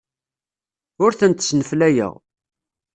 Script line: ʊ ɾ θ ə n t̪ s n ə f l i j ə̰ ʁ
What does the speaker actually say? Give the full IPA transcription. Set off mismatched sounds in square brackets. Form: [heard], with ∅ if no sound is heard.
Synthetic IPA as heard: ʊ ɾ θ ə n t̪ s n ə f l [æ] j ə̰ ʁ

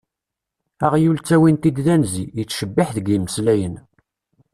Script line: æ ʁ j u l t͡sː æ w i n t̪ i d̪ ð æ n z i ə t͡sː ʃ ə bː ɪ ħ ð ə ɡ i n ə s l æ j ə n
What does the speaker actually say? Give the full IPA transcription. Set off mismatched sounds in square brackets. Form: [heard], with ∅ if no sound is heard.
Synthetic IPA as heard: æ ʁ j u l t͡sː æ w i n t̪ i d̪ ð æ n z i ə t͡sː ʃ ə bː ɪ ħ ð ə ɡ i [m] ə s l æ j ə n

